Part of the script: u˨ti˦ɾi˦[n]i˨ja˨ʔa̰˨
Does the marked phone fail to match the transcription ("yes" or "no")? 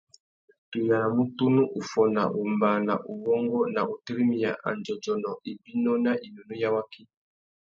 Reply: yes